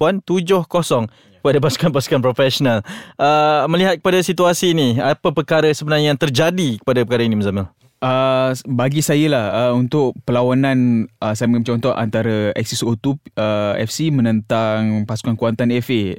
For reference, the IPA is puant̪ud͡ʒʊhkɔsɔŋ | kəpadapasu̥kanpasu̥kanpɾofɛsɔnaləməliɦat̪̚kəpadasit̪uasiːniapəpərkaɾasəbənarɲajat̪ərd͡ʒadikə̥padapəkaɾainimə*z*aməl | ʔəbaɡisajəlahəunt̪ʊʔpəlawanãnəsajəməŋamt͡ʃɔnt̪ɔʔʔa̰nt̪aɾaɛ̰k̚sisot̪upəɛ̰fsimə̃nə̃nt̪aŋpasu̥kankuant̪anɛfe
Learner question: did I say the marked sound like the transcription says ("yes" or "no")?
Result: yes